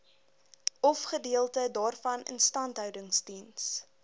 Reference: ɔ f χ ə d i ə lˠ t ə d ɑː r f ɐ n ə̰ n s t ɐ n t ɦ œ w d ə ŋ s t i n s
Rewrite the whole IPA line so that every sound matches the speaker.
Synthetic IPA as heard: ɔ f χ ə d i ə lˠ t ə d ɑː r f ɐ n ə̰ n s t ɐ n t ɦ œ w d ə ŋ s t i n s

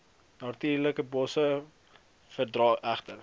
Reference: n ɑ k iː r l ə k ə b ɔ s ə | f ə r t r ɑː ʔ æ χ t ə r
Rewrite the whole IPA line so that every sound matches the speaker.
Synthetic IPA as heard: n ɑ t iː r l ə k ə b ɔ s ə | f ə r d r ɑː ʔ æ χ t ə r

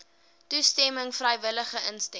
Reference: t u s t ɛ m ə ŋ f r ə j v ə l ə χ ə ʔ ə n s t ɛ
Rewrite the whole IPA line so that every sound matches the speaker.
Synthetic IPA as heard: t u s t ɛ m ə ŋ f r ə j v ə l ə χ ə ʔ ə n s t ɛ

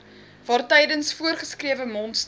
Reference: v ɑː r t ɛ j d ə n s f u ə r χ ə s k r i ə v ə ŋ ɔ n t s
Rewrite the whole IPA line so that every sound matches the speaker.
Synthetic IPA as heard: v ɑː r t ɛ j d ə n s f u ə r χ ə s k r i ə v ə m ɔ n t s

